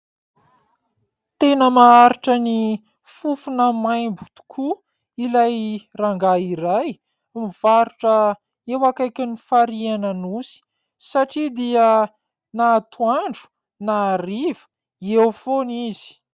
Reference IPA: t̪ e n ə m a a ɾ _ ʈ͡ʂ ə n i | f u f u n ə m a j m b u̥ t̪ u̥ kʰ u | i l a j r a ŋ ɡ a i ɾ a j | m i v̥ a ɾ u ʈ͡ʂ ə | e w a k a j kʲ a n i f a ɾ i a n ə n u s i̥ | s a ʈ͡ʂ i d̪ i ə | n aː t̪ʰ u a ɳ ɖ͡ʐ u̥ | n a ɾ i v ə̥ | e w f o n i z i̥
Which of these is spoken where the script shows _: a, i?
i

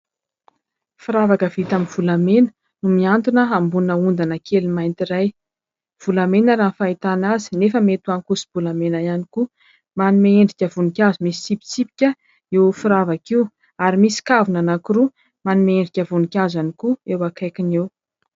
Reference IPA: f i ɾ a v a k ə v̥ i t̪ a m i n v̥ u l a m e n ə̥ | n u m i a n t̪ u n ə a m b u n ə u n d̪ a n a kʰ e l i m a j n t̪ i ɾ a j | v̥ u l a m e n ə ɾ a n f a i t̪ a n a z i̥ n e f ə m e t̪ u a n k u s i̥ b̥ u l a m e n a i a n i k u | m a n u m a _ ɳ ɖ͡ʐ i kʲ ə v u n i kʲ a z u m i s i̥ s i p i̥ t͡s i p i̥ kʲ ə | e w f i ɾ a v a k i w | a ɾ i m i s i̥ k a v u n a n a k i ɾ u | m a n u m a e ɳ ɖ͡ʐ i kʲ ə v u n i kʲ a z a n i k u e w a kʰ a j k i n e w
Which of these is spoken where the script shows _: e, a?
e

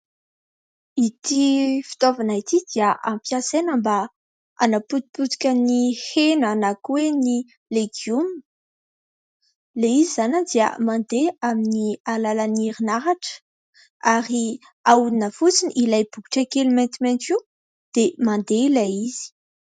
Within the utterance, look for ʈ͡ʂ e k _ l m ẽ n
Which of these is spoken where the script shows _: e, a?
e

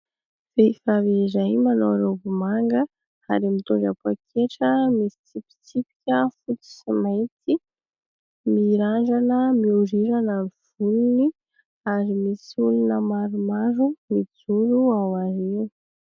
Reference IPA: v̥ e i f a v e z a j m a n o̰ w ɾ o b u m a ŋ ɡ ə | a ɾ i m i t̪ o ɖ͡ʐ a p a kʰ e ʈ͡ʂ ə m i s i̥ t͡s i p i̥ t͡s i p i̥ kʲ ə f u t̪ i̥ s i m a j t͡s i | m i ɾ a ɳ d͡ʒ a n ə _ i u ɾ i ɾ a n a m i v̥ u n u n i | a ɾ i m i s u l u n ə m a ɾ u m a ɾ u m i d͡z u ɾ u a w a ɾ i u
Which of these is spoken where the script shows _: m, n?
m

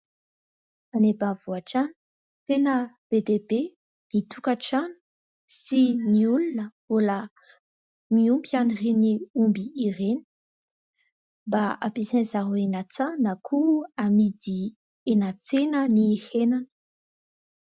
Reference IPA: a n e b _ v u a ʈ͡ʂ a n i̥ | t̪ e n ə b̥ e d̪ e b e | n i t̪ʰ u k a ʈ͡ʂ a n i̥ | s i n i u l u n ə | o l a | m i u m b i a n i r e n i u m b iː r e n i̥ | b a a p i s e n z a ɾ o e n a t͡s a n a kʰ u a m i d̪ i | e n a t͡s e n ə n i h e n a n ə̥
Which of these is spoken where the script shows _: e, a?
a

